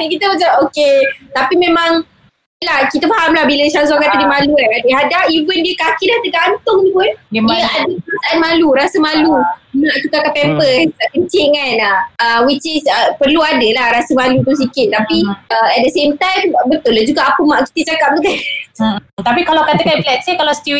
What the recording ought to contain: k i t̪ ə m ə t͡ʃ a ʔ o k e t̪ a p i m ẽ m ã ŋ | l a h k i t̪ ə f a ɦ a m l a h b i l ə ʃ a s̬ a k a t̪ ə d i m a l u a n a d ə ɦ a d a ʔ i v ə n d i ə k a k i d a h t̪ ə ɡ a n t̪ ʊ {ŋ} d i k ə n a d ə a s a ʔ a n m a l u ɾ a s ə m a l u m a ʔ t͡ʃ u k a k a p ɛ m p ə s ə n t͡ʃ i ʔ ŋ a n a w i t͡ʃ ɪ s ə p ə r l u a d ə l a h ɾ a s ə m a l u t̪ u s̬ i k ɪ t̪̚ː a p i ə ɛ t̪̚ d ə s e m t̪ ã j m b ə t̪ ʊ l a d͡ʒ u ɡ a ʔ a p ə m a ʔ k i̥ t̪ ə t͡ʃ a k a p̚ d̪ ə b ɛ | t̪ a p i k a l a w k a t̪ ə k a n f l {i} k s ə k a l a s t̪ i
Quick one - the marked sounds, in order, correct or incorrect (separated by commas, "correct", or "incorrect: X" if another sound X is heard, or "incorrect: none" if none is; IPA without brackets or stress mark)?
correct, incorrect: ɛ